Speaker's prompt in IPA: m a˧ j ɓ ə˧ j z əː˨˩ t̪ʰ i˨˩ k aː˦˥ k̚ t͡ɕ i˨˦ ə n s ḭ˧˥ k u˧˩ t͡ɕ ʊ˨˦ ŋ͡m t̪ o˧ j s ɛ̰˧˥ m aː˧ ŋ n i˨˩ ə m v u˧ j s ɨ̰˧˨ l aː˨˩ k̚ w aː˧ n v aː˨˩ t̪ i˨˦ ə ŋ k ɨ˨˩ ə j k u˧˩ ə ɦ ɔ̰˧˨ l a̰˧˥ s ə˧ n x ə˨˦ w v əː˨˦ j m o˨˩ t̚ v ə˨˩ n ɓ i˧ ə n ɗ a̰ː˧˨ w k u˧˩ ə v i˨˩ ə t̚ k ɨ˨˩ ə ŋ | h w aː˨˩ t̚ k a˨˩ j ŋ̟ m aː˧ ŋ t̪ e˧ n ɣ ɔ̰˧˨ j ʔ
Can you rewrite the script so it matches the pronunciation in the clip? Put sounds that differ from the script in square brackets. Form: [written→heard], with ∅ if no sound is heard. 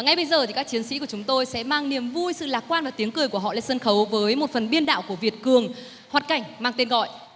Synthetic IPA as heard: [m→ŋ] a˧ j ɓ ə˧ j z əː˨˩ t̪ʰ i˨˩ k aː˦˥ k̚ t͡ɕ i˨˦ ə n s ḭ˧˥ k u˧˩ t͡ɕ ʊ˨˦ ŋ͡m t̪ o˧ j s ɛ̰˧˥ m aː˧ ŋ n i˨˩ ə m v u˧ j s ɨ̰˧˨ l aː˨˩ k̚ w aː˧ n v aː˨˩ t̪ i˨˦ ə ŋ k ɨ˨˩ ə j k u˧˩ ə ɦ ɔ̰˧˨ l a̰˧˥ s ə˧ n x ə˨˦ w v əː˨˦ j m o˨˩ t̚ [v→f] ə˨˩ n ɓ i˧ ə n ɗ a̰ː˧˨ w k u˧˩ ə v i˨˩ ə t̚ k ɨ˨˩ ə ŋ | h w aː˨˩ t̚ k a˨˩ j ŋ̟ m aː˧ ŋ t̪ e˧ n ɣ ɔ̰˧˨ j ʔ